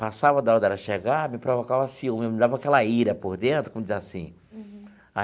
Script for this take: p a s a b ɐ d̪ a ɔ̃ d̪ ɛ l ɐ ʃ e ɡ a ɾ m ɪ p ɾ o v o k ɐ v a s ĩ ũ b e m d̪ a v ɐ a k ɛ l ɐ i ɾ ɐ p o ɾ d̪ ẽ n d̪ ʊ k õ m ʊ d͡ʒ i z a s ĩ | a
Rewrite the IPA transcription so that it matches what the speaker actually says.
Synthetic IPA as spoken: p a s a v ɐ d̪ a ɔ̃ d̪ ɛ ɾ ɐ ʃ e ɡ a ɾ m ɪ p ɾ o v o k a v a s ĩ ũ m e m d̪ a v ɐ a k ɛ l ɐ i ɾ ɐ p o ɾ d̪ ẽ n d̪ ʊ k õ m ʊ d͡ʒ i z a s ĩ | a